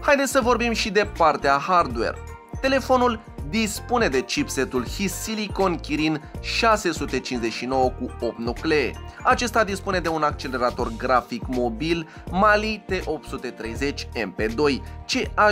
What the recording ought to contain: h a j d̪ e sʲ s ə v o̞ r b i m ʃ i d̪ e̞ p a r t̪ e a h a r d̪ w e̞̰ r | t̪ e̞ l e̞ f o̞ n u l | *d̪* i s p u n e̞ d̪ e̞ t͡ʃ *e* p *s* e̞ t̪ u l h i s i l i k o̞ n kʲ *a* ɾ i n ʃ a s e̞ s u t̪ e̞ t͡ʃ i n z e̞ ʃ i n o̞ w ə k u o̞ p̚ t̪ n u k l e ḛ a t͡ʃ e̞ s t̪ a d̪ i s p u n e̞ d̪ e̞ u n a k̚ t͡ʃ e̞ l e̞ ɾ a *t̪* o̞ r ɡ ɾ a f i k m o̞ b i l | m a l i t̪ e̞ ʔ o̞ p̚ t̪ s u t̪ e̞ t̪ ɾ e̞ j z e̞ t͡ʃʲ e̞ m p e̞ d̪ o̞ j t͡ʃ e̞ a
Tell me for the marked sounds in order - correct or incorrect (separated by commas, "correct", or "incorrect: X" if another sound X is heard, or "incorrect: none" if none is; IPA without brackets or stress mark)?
correct, incorrect: i, correct, incorrect: i, correct